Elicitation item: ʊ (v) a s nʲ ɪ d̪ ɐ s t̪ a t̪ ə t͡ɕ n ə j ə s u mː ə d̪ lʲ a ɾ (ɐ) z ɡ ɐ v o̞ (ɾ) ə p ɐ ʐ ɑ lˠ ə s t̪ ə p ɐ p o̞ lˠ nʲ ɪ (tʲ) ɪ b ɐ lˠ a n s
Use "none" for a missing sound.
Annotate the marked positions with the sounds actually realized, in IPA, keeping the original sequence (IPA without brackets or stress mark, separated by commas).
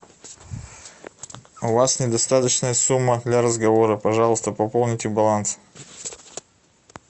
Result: v, ə, ɾ, tʲ